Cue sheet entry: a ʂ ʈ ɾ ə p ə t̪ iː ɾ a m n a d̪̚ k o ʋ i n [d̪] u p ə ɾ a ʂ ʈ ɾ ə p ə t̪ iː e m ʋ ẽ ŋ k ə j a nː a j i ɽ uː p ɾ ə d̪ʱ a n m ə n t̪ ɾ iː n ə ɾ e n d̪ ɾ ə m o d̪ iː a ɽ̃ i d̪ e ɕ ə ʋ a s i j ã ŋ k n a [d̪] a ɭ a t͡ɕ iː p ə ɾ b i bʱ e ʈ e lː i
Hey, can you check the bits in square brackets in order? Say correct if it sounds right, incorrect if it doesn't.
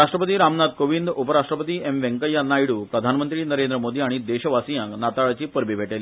correct, incorrect: t̪

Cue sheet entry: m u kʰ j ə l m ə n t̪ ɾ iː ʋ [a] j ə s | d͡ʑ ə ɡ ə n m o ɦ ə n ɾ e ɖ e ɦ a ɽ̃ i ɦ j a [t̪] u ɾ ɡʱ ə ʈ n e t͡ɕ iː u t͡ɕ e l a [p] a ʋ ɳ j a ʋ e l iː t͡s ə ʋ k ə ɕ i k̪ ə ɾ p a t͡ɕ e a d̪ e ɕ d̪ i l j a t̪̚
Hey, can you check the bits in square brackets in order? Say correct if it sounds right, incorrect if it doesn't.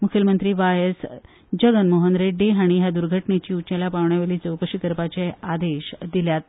correct, incorrect: d̪, correct

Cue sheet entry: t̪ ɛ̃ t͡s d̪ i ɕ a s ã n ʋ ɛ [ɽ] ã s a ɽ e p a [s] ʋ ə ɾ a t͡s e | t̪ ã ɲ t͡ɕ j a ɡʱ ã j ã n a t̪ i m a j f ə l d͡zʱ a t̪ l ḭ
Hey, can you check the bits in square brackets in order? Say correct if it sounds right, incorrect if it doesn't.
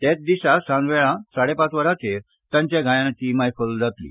incorrect: ɭ, incorrect: t͡s

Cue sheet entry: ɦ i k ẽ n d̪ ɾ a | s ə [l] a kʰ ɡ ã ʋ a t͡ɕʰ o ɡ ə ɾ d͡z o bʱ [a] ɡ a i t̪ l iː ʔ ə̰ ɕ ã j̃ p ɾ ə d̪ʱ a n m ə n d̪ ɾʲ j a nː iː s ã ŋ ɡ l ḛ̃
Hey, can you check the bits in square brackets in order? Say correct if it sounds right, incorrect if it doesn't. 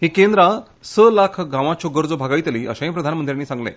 correct, correct

